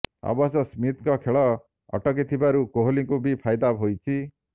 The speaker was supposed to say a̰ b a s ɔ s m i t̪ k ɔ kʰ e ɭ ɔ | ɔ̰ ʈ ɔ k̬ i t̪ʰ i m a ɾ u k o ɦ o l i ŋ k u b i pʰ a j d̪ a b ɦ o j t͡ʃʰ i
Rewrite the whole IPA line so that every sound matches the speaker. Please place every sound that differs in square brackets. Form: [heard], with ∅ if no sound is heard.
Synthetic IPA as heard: a̰ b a s ɔ s m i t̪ k ɔ kʰ e ɭ ɔ | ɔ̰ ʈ ɔ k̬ i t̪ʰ i [b] a ɾ u k o ɦ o l i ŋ k u b i pʰ a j d̪ a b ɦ o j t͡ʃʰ i